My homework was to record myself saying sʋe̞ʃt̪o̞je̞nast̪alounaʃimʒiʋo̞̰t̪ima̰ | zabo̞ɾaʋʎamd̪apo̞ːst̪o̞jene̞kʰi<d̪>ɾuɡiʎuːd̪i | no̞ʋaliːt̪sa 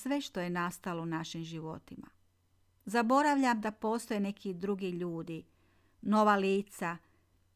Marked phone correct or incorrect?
correct